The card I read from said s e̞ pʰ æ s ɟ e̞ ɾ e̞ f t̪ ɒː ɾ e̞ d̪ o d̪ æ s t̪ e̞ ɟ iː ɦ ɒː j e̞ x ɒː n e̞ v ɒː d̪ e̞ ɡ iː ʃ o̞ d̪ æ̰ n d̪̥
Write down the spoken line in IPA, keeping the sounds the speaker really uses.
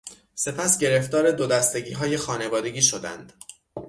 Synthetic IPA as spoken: s e̞ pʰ æ s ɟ e̞ ɾ e̞ f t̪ ɒː ɾ e̞ d̪ o d̪ æ s t̪ e̞ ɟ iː ɦ ɒː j e̞ x ɒː n e̞ v ɒː d̪ e̞ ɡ iː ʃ o̞ d̪ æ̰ n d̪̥